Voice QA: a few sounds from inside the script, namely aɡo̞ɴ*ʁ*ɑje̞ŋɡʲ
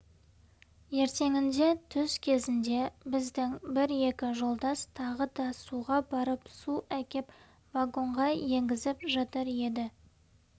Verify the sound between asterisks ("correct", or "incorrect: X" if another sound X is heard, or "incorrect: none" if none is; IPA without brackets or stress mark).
correct